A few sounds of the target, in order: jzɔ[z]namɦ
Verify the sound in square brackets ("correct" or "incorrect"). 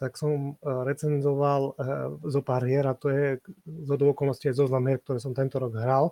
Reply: correct